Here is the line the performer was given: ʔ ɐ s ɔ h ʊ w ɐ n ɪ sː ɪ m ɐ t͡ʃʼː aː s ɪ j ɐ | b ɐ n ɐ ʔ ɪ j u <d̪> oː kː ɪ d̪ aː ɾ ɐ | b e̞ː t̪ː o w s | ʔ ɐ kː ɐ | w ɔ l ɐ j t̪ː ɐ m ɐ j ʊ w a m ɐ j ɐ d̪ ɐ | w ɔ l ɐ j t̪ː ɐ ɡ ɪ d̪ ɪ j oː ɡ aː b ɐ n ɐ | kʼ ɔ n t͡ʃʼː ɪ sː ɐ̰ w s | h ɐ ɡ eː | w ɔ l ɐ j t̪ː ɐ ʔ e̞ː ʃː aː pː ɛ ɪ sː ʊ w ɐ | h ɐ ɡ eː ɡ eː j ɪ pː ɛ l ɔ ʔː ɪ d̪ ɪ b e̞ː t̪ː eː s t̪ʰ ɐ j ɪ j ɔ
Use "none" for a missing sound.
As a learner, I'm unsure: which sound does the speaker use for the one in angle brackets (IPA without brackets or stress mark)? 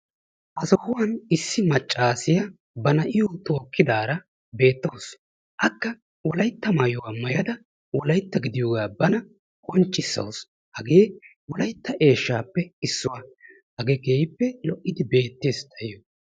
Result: t̪